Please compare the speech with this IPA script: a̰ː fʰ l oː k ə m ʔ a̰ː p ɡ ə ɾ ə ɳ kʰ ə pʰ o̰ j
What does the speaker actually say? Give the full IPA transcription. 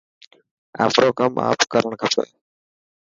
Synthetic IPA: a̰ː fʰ ɾ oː k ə m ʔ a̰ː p k ə ɾ ə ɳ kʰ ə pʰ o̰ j